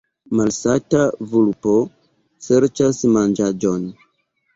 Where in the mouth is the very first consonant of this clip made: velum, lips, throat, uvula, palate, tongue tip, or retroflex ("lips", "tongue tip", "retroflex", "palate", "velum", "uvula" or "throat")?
lips